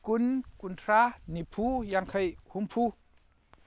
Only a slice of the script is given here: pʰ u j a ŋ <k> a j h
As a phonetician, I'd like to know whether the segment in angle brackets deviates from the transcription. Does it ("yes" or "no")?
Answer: yes